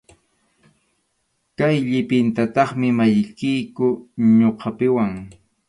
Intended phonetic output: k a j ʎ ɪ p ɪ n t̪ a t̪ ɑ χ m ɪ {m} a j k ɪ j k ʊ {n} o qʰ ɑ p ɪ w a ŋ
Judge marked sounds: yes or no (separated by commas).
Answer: yes, no